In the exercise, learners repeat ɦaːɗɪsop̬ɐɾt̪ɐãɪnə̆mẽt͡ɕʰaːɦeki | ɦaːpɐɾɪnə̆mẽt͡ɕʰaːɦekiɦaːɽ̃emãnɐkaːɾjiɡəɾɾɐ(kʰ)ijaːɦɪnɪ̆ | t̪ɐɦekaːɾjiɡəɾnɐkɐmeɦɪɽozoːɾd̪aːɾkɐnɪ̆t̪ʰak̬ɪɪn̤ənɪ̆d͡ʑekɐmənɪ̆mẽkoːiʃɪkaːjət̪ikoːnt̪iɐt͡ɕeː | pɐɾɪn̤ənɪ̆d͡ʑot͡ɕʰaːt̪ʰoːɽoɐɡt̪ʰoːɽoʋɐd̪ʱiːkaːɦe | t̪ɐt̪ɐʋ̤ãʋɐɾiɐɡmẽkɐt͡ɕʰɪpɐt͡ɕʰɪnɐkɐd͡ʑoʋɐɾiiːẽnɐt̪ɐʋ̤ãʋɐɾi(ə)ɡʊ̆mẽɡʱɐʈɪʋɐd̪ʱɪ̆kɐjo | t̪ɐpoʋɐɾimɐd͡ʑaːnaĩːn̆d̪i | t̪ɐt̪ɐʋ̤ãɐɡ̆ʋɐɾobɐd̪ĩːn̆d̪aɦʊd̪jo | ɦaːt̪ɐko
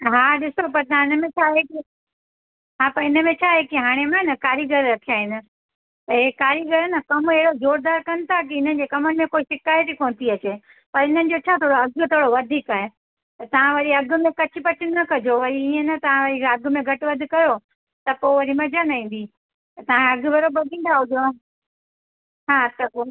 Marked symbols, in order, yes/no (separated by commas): yes, no